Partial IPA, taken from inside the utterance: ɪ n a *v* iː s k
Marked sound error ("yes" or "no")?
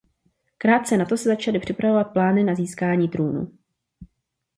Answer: yes